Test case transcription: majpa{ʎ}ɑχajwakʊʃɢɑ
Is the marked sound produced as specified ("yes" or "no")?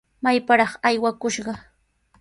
no